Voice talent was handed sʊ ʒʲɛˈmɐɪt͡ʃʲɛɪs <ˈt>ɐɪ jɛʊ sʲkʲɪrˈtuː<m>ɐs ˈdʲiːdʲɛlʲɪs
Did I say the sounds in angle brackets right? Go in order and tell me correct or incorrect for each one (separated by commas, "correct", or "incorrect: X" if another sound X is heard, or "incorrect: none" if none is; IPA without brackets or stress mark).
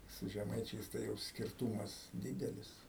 correct, correct